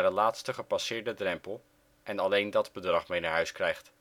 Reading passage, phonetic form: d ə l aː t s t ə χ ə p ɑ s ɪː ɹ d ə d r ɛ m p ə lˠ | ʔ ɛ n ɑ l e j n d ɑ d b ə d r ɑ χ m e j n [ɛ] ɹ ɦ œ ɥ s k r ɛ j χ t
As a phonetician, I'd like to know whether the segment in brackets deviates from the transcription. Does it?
yes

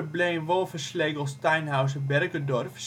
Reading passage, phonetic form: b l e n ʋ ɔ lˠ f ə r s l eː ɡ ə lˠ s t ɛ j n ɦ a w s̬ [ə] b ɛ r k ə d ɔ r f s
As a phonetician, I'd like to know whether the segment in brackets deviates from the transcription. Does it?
no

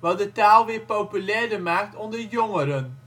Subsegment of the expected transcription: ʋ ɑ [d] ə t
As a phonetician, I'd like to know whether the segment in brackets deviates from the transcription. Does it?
no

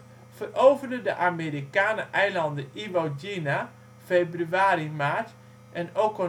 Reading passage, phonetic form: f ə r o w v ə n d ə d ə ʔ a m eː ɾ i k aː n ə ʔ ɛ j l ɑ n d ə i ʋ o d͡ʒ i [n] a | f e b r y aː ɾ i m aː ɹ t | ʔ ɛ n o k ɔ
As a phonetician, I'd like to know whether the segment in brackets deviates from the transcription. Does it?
no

